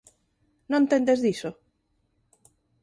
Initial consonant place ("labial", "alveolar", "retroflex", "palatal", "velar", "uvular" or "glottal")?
alveolar